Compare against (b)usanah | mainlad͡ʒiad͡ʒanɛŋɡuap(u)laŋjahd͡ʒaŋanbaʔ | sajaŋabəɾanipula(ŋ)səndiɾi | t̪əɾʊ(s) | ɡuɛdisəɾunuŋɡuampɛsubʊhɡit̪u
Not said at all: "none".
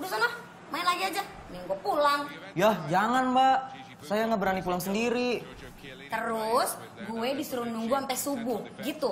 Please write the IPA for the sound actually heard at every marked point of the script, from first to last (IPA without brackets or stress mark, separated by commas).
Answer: d, u, ŋ, s